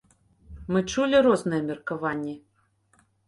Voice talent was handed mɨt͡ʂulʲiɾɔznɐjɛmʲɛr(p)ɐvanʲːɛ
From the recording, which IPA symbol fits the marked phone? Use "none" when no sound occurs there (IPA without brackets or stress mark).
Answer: k